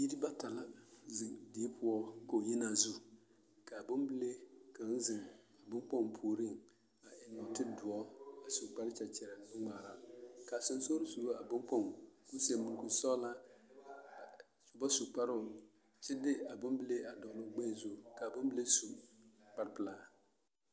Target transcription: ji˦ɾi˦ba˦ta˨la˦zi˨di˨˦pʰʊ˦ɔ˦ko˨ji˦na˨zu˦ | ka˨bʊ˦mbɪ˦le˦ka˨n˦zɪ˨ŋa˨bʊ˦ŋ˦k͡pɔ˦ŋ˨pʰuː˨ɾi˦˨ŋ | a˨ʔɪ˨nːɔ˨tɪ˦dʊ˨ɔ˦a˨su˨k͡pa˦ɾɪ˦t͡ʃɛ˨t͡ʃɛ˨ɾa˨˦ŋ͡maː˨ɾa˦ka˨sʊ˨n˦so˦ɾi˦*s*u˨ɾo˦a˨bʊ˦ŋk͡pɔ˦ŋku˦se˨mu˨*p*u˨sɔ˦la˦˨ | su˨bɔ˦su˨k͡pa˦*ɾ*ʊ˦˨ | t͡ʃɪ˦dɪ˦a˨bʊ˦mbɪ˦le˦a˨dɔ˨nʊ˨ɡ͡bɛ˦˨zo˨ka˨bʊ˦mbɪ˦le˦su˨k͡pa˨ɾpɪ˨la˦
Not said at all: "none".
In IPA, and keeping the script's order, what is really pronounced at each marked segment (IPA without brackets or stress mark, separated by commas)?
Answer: s, k, ɾ